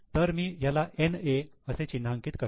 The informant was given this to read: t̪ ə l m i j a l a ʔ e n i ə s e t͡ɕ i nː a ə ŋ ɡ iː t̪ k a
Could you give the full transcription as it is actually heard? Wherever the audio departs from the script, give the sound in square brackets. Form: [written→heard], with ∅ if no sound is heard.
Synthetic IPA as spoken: t̪ ə [l→ɾ] m [i→iː] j a l a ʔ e n [i→e] ə s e t͡ɕ i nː a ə ŋ [ɡ→k] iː t̪ k [a→ə]